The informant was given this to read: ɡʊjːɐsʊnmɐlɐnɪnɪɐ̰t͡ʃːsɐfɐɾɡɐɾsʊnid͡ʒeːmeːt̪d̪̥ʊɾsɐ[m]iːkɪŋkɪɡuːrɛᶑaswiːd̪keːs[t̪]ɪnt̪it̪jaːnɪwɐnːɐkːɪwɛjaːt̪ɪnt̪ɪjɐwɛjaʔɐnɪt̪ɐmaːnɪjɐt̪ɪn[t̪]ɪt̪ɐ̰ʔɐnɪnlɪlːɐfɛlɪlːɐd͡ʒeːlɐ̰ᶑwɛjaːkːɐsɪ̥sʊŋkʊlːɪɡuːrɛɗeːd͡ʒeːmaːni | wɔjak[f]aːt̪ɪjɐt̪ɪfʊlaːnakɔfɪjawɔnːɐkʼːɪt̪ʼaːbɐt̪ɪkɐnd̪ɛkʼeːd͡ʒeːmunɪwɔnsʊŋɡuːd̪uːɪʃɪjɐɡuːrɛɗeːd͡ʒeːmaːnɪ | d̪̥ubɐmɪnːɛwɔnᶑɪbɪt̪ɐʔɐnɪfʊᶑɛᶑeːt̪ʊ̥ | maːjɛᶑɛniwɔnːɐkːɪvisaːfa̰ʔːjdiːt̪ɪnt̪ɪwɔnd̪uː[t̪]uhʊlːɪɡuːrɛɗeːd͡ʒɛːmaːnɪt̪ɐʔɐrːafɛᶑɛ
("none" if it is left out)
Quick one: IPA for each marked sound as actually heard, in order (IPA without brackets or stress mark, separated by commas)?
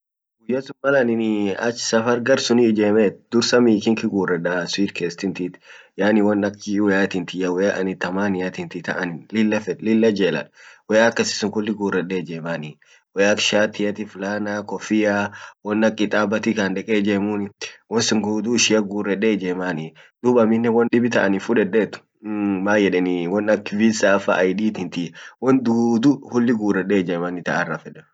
m, t̪, t̪, ʃ, d̪